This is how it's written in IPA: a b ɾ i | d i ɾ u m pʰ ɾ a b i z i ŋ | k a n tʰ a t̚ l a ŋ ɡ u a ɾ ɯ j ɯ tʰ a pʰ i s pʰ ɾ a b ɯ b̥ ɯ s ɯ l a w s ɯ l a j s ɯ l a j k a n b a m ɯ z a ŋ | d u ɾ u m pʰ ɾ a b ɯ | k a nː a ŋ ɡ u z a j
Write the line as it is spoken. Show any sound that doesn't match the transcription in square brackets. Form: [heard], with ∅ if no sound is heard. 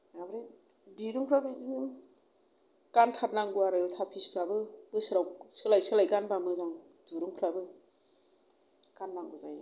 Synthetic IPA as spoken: a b ɾ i | d i ɾ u [ŋ] pʰ ɾ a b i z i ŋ | k a n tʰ a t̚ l a ŋ ɡ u a ɾ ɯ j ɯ tʰ a pʰ i s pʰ ɾ a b ɯ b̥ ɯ s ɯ [ɾ] a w s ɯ l a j s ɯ l a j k a n b a m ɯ z a ŋ | d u ɾ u [ŋ] pʰ ɾ a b ɯ | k a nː a ŋ ɡ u z a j